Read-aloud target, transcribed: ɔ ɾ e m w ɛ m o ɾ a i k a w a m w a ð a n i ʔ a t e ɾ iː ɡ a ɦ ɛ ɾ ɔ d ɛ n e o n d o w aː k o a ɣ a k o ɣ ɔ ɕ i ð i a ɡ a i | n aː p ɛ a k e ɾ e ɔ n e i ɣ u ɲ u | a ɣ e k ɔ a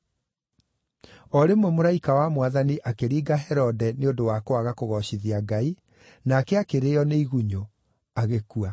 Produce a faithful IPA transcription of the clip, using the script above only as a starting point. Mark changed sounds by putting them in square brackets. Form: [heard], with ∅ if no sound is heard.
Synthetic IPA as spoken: ɔ ɾ e m w ɛ m o ɾ a i k a w a m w a ð a n i ʔ a [k] e ɾ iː ɡ a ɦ ɛ ɾ ɔ d ɛ n e o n d o w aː k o a ɣ a k o ɣ ɔ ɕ i ð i a ɡ a i | n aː [k] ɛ a k e ɾ e ɔ n e i ɣ u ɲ [o] | a ɣ e k [u] a